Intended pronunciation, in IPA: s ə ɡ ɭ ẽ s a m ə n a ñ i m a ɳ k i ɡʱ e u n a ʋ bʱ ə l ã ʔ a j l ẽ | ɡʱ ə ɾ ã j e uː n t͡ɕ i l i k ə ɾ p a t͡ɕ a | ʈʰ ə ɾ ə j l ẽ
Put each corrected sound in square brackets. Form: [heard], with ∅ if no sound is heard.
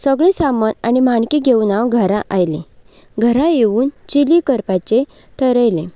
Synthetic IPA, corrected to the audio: s ə ɡ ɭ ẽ s a m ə n a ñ i m a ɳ k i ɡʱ e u n a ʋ [ɡʱ] ə [ɾ] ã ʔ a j l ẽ | ɡʱ ə ɾ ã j e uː n t͡ɕ i l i k ə ɾ p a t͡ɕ [e] | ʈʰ ə ɾ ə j l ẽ